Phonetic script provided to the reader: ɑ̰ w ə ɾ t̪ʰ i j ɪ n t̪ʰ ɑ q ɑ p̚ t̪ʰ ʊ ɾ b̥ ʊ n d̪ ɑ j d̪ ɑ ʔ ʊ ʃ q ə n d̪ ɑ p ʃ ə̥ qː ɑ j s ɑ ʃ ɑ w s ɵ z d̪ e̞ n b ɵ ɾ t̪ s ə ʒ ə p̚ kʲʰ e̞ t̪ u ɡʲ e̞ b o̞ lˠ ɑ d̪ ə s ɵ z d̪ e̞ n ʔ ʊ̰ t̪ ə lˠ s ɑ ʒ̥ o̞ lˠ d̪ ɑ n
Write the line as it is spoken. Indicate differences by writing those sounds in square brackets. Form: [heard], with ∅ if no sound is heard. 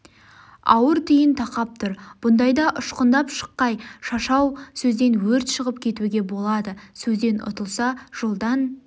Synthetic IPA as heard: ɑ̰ w ə ɾ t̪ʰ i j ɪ n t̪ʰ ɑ q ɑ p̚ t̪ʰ ʊ ɾ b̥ ʊ n d̪ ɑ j d̪ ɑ ʔ ʊ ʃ q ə n d̪ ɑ p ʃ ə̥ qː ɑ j [ʃ] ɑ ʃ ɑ w s ɵ z d̪ e̞ n [w] ɵ ɾ t̪ [ʃ] ə [ʁ] ə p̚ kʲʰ e̞ t̪ u ɡʲ e̞ b o̞ lˠ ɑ d̪ ə s ɵ z d̪ e̞ n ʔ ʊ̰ t̪ ə lˠ s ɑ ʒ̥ o̞ lˠ d̪ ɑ n